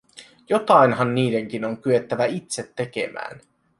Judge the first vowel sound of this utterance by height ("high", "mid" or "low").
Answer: mid